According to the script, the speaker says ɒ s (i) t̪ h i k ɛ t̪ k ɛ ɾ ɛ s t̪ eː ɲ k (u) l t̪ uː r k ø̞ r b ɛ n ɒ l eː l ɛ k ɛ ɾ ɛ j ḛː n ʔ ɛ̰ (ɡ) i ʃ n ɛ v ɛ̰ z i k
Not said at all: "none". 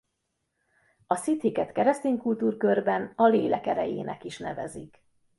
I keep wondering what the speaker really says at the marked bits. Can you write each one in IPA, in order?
i, u, k

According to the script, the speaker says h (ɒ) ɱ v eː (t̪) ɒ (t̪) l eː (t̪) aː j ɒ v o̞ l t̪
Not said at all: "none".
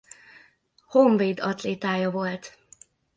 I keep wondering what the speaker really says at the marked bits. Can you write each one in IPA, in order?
o, d̪, t̪, t̪

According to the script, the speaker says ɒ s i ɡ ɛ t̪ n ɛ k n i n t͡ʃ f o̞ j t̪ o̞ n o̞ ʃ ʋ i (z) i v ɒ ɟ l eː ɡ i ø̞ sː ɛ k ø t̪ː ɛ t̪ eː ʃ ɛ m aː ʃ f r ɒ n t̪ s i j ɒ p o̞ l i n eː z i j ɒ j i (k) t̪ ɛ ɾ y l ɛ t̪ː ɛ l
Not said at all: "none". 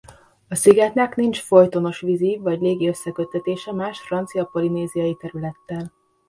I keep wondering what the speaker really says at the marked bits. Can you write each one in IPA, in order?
z, none

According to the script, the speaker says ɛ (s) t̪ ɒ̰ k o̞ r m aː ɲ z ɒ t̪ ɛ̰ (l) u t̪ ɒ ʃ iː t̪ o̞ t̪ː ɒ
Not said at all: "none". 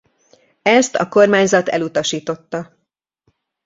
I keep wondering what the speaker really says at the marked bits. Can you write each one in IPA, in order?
s, l

